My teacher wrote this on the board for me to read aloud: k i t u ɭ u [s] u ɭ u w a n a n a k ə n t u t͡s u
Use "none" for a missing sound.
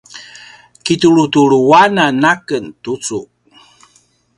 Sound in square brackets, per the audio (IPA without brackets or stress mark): t